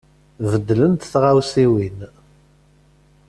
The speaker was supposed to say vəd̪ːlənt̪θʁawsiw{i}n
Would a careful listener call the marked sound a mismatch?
no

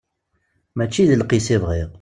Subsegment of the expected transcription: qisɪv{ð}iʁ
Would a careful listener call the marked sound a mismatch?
yes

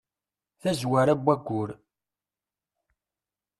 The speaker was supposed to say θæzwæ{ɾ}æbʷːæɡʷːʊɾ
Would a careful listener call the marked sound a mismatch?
no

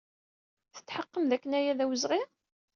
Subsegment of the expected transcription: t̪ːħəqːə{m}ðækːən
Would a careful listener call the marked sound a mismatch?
no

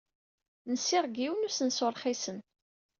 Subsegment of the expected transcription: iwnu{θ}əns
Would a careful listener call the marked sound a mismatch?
yes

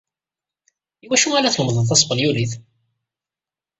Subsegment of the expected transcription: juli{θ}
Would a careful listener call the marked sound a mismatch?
no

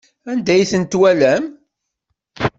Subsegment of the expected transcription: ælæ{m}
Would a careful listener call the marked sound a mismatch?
no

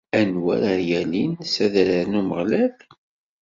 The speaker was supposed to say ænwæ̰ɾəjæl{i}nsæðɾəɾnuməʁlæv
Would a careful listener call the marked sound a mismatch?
no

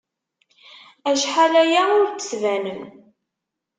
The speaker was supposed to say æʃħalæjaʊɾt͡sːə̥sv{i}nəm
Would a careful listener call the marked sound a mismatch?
yes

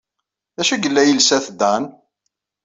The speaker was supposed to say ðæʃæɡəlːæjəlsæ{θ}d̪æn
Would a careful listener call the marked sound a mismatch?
no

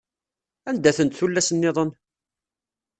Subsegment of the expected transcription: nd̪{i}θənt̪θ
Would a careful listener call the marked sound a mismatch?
yes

